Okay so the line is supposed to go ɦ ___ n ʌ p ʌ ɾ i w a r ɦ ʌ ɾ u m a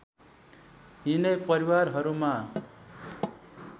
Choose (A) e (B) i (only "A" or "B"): B